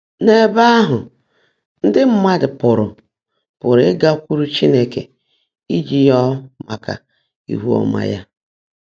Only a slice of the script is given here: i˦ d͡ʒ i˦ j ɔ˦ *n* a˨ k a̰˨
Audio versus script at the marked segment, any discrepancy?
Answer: yes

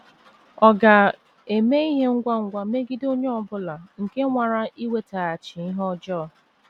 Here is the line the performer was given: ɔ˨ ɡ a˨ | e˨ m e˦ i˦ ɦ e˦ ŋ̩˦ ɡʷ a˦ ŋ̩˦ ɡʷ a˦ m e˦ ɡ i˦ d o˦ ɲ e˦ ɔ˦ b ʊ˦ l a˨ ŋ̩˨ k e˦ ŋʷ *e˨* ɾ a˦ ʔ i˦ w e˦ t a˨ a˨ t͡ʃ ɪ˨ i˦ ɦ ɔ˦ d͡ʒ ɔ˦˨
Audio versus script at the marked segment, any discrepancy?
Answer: yes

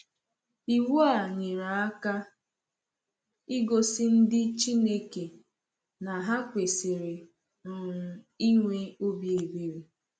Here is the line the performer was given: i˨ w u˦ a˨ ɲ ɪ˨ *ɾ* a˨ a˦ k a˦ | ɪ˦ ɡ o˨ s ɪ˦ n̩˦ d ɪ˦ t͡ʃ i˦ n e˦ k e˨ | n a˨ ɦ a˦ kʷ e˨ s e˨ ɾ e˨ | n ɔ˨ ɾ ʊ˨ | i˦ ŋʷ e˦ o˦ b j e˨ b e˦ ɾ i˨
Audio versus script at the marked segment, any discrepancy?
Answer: no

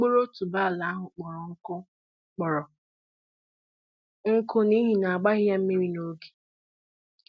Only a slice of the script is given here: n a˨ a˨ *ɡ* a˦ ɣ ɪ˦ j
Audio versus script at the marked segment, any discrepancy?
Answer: yes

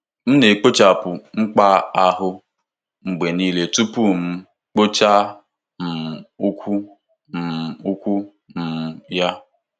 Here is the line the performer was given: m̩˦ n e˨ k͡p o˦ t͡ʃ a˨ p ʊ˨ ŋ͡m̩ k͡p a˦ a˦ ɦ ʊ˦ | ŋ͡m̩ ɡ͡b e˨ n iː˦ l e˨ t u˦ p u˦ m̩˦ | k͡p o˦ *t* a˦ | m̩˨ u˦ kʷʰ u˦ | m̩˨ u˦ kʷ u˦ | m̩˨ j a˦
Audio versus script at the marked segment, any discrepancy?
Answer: yes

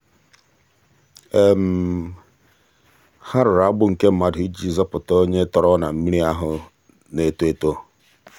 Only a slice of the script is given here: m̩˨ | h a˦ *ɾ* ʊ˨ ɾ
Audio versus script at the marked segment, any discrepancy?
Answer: no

